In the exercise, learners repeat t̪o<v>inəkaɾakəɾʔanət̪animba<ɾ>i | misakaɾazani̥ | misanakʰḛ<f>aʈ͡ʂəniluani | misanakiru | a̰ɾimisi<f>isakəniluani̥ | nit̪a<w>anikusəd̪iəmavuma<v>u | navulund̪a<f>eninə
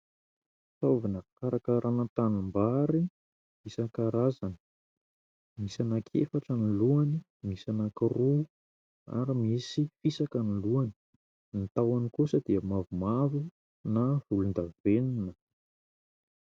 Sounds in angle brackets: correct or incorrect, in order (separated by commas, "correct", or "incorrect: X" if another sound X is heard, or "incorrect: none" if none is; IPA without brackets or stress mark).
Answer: correct, correct, correct, correct, correct, correct, incorrect: v